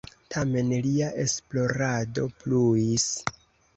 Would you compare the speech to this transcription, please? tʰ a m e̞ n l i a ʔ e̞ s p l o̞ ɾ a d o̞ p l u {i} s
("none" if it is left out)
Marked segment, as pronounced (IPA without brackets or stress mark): i